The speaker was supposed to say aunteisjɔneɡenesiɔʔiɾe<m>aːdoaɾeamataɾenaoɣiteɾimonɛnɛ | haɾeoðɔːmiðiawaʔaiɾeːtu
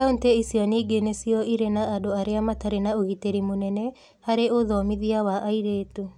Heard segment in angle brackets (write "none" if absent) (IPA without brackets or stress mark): n